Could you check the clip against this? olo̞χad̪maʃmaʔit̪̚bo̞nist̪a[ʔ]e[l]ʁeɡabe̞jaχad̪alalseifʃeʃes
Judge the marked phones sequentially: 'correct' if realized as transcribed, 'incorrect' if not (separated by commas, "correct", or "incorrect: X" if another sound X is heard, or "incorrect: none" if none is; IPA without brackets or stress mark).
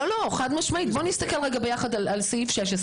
incorrect: k, correct